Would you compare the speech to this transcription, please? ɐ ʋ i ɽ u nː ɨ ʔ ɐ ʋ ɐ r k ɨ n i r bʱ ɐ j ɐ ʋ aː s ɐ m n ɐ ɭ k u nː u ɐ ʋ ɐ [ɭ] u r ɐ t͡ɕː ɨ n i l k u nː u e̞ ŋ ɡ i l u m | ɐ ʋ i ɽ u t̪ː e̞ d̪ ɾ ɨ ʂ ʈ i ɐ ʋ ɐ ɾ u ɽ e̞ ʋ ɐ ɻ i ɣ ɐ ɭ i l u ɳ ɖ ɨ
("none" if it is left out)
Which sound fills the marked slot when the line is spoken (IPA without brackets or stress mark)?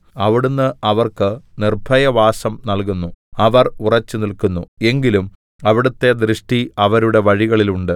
r